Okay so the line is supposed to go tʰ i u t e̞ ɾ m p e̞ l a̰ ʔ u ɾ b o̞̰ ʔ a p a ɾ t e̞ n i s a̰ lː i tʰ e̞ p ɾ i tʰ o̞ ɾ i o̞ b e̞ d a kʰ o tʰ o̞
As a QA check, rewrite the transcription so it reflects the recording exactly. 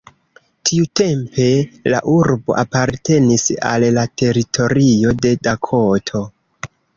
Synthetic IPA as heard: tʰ i u t e̞ m p e̞ l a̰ ʔ u ɾ b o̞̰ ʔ a p a ɾ t e̞ n i s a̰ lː a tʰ e̞ ɾ i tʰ o̞ ɾ i o̞ d e̞ d a kʰ o tʰ o̞